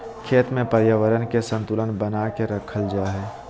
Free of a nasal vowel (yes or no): no